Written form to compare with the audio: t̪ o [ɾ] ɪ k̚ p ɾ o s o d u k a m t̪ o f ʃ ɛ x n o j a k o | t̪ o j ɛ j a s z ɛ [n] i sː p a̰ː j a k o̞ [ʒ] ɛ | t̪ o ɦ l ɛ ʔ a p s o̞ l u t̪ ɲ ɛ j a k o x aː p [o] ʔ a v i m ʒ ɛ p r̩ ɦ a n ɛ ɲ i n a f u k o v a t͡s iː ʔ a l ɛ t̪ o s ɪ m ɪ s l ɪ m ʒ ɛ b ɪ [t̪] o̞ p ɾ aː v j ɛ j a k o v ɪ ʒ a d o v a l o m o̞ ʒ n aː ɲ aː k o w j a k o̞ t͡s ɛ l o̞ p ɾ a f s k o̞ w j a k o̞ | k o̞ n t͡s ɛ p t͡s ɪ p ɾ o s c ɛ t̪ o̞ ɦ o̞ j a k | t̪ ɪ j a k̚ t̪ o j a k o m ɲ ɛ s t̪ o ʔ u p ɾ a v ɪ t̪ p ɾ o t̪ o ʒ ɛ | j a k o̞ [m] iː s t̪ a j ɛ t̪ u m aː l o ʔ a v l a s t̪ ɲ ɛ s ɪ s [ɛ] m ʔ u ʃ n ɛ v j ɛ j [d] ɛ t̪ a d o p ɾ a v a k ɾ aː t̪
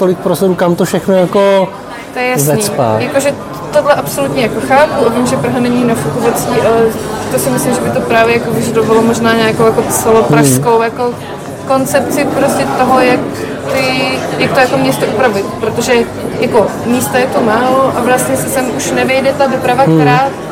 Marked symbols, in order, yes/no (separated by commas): no, yes, yes, no, yes, yes, yes, yes